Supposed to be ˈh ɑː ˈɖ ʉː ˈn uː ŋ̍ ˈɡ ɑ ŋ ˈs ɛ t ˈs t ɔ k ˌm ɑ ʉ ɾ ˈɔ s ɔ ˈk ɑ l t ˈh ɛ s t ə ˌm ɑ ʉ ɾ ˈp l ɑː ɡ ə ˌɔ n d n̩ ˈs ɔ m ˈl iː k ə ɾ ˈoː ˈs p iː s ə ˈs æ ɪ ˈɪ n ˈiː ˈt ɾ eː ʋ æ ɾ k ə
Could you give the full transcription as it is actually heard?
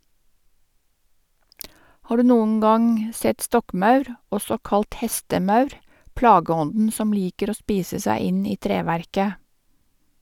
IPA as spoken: ˈh ɑː ˈɖ ʉː ˈn uː ŋ̍ ˈɡ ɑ ŋ ˈs ɛ t ˈs t ɔ k ˌm ɑ ʉ ɾ ˈɔ s ɔ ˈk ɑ l t ˈh ɛ s t ə ˌm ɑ ʉ ɾ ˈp l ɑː ɡ ə ˌɔ n d n̩ ˈs ɔ m ˈl iː k ə ɾ ˈoː ˈs p iː s ə ˈs æ ɪ ˈɪ n ˈiː ˈt ɾ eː ʋ æ ɾ k ə

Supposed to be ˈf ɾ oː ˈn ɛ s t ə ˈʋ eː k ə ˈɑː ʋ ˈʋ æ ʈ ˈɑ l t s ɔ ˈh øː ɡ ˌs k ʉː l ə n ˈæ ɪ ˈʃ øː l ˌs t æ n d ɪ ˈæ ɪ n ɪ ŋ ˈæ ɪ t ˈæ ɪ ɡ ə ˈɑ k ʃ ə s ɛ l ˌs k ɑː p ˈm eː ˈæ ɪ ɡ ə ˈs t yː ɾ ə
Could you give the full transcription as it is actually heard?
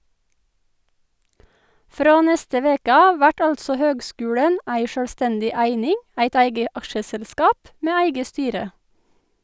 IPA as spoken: ˈf ɾ oː ˈn ɛ s t ə ˈʋ eː k ə ˈɑː ʋ ˈʋ æ ʈ ˈɑ l t s ɔ ˈh øː ɡ ˌs k ʉː ɽ ə n ˈæ ɪ ˈʃ øː l ˌs t ɛ n d ɪ ˈæ ɪ n ɪ ŋ ˈæ ɪ t ˈæ ɪ ɡ ə ˈɑ k ʃ ə s ɛ l ˌs k ɑː p ˈm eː ˈæ ɪ ɡ ə ˈs t yː ɾ ə

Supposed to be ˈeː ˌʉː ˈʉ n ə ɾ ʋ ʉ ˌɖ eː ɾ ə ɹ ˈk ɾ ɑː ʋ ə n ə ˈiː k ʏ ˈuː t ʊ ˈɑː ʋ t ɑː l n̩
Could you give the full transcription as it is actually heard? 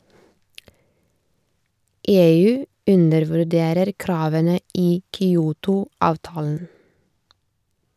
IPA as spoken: ˈeː ˌʉː ˈʉ n ə ɾ ʋ ʉ ˌɖ eː ɾ ə ɾ ˈk ɾ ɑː ʋ ə n ə ˈiː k ʏ ˈuː t ʊ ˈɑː ʋ t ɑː l n̩

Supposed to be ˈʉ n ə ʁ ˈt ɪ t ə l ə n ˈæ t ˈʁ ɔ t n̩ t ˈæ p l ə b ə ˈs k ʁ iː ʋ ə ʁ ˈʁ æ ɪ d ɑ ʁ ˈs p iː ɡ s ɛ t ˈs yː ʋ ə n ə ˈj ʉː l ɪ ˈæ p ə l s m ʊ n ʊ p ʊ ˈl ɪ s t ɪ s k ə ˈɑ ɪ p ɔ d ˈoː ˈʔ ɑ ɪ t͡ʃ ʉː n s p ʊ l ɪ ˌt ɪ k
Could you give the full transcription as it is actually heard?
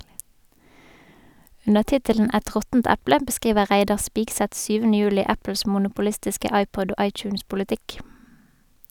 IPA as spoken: ˈʉ n ə ʁ ˈt ɪ t ə l ə n ˈæ t ˈʁ ɔ t n̩ t ˈæ p l ə b ə ˈs k ʁ iː ʋ ə ʁ ˈʁ æ ɪ d ɑ ʁ ˈs p iː ɡ s ɛ t ˈs yː ʋ ə n ə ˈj ʉː l ɪ ˈæ p ə l s m ʊ n ʊ p ʊ ˈl ɪ s t ɪ s k ə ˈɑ ɪ p ɔ d ˈoː ˈʔ ɑ ɪ t͡ʃ ʉː n s p ʊ l ɪ ˌt ɪ k

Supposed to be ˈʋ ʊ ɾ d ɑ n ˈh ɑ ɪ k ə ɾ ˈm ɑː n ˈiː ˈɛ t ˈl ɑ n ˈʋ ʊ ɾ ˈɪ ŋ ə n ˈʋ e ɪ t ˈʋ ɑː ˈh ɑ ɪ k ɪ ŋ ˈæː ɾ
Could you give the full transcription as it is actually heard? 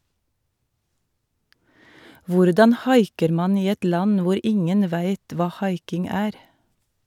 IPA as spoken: ˈʋ ʊ ɾ d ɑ n ˈh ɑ ɪ k ə ɾ ˈm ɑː n ˈiː ˈɛ t ˈl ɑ n ˈʋ ʊ ɾ ˈɪ ŋ ə n ˈʋ æ ɪ t ˈʋ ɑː ˈh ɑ ɪ k ɪ ŋ ˈæː ɾ

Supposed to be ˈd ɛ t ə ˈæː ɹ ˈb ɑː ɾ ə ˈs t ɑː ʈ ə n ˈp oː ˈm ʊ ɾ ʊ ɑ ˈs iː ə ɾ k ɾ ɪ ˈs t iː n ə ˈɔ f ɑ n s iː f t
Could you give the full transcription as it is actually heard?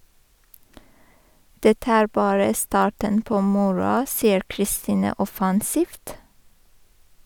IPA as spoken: ˈd ɛ t ə ˈæː ɹ ˈb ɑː ɹ ə ˈs t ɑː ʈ ə n ˈp oː ˈm ʊ ɹ ʊ ɑ ˈs iː ə ɾ k ɾ ɪ ˈs t iː n ə ˈɔ f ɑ n s iː f t

